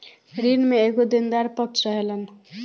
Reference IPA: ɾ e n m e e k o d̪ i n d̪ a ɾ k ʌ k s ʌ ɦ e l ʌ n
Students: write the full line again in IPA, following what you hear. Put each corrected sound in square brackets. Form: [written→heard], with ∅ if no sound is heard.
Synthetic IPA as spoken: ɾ [e→i] n m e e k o d̪ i n d̪ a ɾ [k→p] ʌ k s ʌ ɦ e l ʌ n